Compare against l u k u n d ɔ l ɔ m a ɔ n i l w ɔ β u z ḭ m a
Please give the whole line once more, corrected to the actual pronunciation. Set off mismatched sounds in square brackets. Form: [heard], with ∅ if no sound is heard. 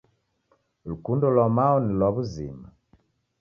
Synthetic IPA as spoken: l u k u n d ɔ l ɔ m a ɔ n i l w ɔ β u z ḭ m a